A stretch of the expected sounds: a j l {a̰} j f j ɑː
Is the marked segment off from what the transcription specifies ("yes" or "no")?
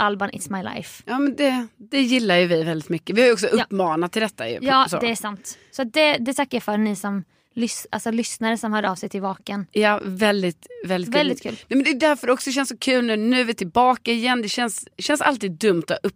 no